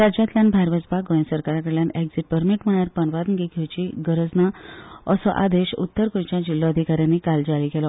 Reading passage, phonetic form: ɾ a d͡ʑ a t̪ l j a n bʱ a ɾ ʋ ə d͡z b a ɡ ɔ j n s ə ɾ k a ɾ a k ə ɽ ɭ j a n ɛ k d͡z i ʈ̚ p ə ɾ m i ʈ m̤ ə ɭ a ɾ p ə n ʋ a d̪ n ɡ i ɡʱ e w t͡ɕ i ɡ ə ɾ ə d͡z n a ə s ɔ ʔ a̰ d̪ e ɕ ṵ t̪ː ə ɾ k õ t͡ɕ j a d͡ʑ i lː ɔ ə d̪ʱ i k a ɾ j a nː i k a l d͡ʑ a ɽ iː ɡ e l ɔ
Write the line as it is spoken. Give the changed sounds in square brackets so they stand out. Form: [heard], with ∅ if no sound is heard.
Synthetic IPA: ɾ a d͡ʑ a t̪ l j a n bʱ a ɾ ʋ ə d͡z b a ɡ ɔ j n s ə ɾ k a ɾ a k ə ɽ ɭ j a n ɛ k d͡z i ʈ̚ p ə ɾ m i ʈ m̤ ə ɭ a ɾ p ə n ʋ a d̪ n ɡ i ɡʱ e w t͡ɕ i ɡ ə ɾ ə d͡z n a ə s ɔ ʔ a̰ d̪ e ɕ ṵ t̪ː ə ɾ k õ t͡ɕ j a d͡ʑ i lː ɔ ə d̪ʱ i k a ɾ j a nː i k a l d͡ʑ a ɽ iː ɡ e l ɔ